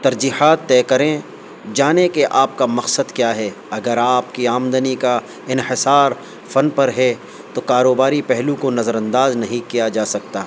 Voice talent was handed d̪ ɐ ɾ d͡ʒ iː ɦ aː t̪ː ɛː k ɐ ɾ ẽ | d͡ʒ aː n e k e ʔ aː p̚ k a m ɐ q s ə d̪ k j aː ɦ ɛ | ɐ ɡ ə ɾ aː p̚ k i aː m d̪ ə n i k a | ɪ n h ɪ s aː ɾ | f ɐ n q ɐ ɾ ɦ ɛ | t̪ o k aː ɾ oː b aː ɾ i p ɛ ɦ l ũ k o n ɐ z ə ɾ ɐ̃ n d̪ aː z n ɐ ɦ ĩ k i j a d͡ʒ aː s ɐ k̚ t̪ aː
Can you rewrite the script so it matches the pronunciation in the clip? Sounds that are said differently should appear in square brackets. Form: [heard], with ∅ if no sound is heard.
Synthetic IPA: [t̪] ɐ ɾ d͡ʒ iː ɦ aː t̪ː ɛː k ɐ ɾ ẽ | d͡ʒ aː n e k e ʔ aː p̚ k a m ɐ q s ə d̪ k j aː ɦ ɛ | ɐ ɡ ə ɾ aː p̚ k i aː m d̪ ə n i k a | ɪ n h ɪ s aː ɾ | f ɐ n [p] ɐ ɾ ɦ ɛ | t̪ o k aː ɾ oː b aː ɾ i p ɛ ɦ l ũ k o n ɐ z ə ɾ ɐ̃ n d̪ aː z n ɐ ɦ ĩ k i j a d͡ʒ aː s ɐ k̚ t̪ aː